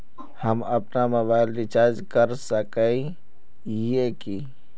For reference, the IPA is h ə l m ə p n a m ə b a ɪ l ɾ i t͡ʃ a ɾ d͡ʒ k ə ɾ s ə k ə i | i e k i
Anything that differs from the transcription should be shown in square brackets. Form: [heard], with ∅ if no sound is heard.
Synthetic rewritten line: h ə [∅] m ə p n a m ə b a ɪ l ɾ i t͡ʃ a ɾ d͡ʒ k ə ɾ s ə k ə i | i e k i